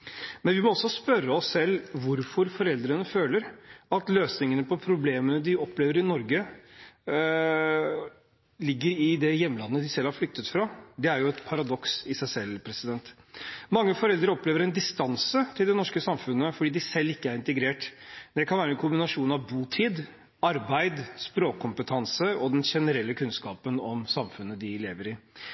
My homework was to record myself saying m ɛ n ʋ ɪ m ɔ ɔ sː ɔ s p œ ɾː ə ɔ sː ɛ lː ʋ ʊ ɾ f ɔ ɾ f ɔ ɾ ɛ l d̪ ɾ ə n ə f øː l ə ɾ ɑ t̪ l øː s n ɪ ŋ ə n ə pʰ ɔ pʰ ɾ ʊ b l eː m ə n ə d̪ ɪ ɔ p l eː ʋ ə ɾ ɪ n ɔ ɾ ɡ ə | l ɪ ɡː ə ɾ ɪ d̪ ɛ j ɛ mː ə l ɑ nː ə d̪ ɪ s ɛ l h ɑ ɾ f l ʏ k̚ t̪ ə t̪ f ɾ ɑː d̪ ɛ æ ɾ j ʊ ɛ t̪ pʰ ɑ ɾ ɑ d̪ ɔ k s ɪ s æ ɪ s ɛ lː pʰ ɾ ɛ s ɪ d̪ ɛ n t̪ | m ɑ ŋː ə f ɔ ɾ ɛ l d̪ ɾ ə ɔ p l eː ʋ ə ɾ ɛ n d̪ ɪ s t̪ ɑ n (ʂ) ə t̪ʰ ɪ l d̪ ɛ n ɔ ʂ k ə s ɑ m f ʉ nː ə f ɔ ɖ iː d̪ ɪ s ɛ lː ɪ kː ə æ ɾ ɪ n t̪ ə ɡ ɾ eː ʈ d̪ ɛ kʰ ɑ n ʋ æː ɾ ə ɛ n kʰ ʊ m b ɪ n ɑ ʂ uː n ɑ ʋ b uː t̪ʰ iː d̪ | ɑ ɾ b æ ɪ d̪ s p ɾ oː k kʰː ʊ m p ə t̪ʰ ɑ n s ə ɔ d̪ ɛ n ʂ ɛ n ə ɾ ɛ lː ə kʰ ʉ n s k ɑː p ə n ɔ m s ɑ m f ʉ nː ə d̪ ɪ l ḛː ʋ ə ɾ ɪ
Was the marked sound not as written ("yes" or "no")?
yes